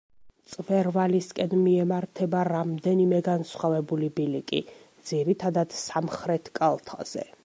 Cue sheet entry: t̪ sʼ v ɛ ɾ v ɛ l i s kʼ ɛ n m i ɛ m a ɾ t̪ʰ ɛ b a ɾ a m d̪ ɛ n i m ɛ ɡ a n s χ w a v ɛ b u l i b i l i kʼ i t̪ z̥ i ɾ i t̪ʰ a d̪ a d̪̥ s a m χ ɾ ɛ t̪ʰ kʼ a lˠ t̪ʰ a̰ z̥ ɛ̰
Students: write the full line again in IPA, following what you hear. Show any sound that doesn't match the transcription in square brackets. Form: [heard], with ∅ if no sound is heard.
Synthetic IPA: t̪ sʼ v ɛ ɾ v [a] l i s kʼ ɛ n m i ɛ m a ɾ t̪ʰ ɛ b a ɾ a m d̪ ɛ n i m ɛ ɡ a n s χ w a v ɛ b u l i b i l i kʼ i [d̪] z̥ i ɾ i t̪ʰ a d̪ a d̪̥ s a m χ ɾ ɛ t̪ʰ kʼ a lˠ t̪ʰ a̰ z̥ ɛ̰

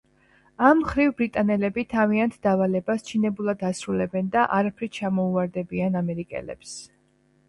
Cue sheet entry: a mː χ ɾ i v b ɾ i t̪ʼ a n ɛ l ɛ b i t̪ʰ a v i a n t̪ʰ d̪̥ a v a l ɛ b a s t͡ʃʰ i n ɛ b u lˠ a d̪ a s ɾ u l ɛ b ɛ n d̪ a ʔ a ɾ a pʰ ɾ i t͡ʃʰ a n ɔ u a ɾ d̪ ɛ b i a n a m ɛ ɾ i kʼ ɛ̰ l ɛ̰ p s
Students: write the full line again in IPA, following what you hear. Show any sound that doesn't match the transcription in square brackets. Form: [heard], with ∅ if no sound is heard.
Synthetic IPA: a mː χ ɾ i v b ɾ i t̪ʼ a n ɛ l ɛ b i t̪ʰ a v i a n t̪ʰ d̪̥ a v a l ɛ b a s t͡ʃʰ i n ɛ b u lˠ a d̪ a s ɾ u l ɛ b ɛ n d̪ a ʔ a ɾ a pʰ ɾ i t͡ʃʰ a [m] ɔ u a ɾ d̪ ɛ b i a n a m ɛ ɾ i kʼ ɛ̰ l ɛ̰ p s

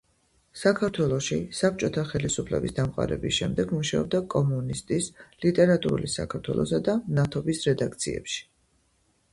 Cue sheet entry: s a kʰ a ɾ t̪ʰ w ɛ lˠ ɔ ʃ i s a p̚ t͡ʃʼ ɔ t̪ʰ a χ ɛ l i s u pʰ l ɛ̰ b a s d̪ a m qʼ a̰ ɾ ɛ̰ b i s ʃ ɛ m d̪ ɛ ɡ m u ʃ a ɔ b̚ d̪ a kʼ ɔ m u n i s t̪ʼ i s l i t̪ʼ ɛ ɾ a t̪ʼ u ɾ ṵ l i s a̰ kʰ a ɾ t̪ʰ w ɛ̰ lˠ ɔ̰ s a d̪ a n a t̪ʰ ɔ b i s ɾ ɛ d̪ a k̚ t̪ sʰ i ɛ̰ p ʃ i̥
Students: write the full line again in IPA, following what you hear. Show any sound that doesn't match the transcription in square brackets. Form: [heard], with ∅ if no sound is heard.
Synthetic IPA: s a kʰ a ɾ t̪ʰ w ɛ lˠ ɔ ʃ i s a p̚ t͡ʃʼ ɔ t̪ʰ a χ ɛ l i s u pʰ l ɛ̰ b [i] s d̪ a m qʼ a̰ ɾ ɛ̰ b i s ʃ ɛ m d̪ ɛ ɡ m u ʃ a ɔ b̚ d̪ a kʼ ɔ m u n i s t̪ʼ i s l i t̪ʼ ɛ ɾ a t̪ʼ u ɾ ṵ l i s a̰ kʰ a ɾ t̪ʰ w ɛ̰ lˠ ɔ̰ s a d̪ a n a t̪ʰ ɔ b i s ɾ ɛ d̪ a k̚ t̪ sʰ i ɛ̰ p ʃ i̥

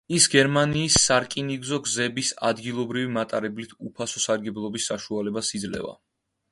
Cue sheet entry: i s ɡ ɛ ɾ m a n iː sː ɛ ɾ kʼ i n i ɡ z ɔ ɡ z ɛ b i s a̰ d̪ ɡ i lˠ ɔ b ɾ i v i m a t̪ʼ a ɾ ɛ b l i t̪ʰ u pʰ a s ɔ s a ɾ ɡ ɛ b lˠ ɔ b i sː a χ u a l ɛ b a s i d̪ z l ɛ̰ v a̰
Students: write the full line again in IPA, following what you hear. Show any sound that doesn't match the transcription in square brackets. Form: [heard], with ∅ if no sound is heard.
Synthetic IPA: i s ɡ ɛ ɾ m a n iː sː [a] ɾ kʼ i n i ɡ z ɔ ɡ z ɛ b i s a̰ d̪ ɡ i lˠ ɔ b ɾ i v i m a t̪ʼ a ɾ ɛ b l i t̪ʰ u pʰ a s ɔ s a ɾ ɡ ɛ b lˠ ɔ b i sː a [ʃ] u a l ɛ b a s i d̪ z l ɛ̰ v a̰

